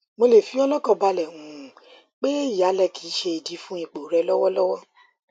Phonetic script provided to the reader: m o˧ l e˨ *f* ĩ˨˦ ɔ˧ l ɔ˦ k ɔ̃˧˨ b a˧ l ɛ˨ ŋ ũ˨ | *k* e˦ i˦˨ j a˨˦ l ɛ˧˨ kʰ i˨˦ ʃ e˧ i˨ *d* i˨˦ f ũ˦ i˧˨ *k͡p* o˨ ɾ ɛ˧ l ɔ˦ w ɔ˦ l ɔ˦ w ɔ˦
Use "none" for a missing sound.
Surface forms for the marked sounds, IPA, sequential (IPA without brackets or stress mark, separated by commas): f, k͡p, d, k͡p